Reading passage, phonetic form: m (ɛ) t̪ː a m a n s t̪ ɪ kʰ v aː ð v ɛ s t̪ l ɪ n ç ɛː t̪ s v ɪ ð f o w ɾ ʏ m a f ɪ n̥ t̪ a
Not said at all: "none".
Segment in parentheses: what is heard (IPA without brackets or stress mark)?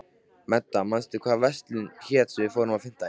ɛ